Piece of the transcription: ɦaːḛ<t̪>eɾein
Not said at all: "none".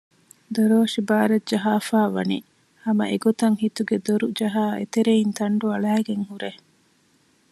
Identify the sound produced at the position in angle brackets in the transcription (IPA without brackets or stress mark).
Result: t̪